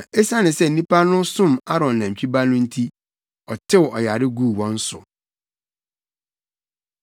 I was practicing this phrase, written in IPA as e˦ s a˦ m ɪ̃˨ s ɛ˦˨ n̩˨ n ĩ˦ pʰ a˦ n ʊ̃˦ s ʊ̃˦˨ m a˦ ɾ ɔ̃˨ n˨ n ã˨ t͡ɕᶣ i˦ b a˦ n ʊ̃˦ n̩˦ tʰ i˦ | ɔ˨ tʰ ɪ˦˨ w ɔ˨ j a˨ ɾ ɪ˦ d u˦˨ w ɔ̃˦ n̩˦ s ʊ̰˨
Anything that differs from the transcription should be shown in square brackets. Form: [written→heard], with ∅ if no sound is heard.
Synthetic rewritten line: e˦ s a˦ [m→n] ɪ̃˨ s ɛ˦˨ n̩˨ n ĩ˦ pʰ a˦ n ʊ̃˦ s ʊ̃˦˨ m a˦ ɾ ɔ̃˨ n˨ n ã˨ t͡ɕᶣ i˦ b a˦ n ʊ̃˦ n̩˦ tʰ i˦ | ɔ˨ tʰ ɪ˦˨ w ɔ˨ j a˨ ɾ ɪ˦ [d→ɡ] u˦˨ w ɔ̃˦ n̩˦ s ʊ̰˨